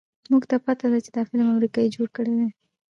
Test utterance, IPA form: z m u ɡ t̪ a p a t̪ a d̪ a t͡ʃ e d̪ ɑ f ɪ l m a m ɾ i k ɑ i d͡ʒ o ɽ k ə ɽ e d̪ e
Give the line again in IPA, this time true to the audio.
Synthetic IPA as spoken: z m u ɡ t̪ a p a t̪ a d̪ a t͡ʃ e d̪ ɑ f ɪ l m a m ɾ i k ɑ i d͡ʒ o ɽ k ə ɽ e d̪ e